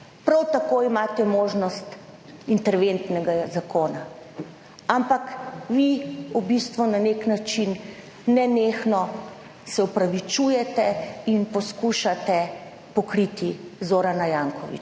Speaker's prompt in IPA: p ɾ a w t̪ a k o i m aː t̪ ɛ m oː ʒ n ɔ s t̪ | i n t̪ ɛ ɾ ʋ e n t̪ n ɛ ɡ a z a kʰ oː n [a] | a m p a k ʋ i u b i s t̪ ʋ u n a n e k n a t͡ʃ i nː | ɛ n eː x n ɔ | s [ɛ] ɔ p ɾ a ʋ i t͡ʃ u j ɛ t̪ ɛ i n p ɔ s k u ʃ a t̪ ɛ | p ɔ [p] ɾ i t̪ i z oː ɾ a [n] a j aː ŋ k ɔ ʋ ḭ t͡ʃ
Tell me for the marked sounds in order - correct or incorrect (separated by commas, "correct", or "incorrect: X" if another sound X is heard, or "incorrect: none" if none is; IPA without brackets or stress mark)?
correct, correct, incorrect: k, correct